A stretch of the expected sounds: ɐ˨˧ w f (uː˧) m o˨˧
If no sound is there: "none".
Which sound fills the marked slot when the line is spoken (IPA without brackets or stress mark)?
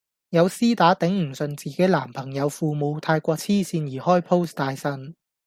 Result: uː˧